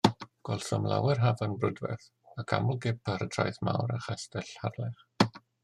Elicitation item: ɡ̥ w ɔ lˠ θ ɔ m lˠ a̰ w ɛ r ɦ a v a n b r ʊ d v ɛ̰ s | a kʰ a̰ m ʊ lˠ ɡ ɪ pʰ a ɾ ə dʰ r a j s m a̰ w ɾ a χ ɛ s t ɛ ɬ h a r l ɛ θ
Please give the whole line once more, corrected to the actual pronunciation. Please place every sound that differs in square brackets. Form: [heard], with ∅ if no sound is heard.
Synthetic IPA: ɡ̥ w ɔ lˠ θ ɔ m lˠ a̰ w ɛ r ɦ a v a n b r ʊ d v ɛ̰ [θ] | a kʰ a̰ m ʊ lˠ ɡ ɪ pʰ a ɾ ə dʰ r a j [θ] m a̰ w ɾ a χ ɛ s t ɛ ɬ h a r l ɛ [χ]